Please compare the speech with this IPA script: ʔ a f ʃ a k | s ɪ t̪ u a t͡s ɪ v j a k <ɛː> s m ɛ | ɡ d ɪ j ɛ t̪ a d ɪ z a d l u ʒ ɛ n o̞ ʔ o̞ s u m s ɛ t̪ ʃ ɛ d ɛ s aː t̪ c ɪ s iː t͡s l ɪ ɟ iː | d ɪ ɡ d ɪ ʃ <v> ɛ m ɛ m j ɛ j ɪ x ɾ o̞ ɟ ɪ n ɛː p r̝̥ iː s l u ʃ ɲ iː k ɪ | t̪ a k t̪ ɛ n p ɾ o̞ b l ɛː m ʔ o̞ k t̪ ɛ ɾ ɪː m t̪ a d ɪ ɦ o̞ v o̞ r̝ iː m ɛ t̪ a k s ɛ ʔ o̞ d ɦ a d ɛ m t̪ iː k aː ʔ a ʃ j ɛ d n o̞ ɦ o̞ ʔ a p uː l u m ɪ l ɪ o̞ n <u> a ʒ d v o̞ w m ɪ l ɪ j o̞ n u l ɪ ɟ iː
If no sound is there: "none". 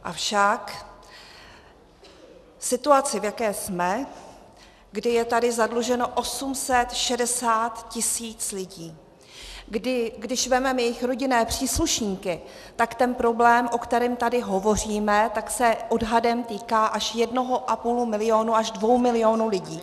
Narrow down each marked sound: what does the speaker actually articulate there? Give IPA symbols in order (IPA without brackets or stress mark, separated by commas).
ɛː, v, u